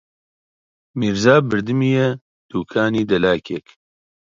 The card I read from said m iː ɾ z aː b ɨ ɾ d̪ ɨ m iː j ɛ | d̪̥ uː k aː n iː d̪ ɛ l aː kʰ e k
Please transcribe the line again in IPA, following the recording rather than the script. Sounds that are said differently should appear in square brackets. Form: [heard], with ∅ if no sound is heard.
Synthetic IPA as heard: m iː ɾ z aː b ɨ ɾ d̪ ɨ m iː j ɛ | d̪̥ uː [kʰ] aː n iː d̪ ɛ l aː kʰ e k